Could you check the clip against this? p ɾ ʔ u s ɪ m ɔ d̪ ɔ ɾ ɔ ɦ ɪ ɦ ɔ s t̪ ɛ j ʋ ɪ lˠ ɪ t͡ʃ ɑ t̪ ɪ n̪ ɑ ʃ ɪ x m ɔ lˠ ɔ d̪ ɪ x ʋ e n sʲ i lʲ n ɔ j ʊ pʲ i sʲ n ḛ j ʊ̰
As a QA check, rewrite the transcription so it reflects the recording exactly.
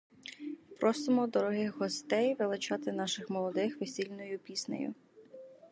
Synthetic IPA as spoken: p ɾ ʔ ɔ s ɪ m ɔ d̪ ɔ ɾ ɔ ɦ ɪ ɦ ɔ s t̪ ɛ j ʋ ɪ lˠ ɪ t͡ʃ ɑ t̪ ɪ n̪ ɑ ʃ ɪ x m ɔ lˠ ɔ d̪ ɪ x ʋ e sʲ i lʲ n ɔ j ʊ pʲ i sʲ n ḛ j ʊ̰